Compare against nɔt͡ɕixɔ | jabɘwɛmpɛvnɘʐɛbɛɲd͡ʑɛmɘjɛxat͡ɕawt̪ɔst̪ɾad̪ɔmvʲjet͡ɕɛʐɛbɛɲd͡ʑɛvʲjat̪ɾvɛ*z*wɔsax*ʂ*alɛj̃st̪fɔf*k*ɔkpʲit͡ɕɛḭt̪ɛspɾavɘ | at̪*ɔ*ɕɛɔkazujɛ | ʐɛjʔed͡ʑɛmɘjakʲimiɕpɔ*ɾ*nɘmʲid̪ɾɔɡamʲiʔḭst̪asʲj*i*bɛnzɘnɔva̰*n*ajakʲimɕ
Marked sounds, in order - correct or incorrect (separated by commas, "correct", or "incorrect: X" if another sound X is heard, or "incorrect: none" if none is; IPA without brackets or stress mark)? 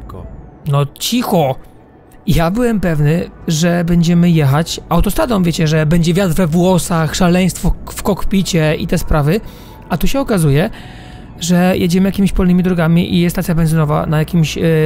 incorrect: v, correct, correct, incorrect: u, incorrect: l, incorrect: a, correct